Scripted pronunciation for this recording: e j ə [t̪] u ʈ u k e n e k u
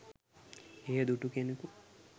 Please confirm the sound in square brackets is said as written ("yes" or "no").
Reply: no